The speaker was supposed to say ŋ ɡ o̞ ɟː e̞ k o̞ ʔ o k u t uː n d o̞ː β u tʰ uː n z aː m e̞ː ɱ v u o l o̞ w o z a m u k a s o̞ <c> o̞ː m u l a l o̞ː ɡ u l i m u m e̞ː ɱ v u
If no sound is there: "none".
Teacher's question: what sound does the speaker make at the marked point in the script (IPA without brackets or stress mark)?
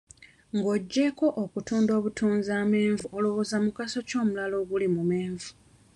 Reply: c